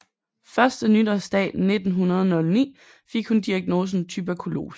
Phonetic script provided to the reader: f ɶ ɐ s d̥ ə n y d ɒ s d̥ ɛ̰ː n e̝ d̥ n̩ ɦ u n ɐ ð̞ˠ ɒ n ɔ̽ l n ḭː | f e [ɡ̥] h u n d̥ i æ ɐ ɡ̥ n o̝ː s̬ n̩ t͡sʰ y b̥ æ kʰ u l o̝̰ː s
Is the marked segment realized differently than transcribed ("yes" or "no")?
no